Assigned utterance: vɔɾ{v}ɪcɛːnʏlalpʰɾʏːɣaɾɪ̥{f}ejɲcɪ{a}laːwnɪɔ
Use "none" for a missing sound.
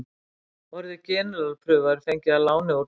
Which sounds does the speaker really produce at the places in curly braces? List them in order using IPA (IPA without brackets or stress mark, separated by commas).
ð, f, a